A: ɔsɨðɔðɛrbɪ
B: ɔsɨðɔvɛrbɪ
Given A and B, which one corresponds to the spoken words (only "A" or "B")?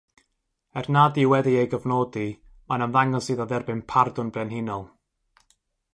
A